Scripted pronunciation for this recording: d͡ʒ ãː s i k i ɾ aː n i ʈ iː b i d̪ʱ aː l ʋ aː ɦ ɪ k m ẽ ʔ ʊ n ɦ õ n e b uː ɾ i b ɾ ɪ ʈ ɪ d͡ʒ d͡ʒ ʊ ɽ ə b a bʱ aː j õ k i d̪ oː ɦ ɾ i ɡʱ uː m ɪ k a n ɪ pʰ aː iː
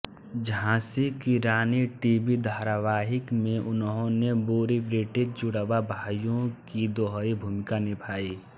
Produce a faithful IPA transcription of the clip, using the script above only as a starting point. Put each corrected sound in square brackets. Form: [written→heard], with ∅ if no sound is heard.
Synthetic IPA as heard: d͡ʒ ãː s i k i ɾ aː n i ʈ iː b i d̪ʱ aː [l→ɾ] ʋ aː ɦ ɪ k m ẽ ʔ ʊ n ɦ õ n e b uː ɾ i b ɾ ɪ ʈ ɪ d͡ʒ d͡ʒ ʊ ɽ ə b a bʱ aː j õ k i d̪ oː ɦ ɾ i [ɡʱ→bʱ] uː m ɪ k a n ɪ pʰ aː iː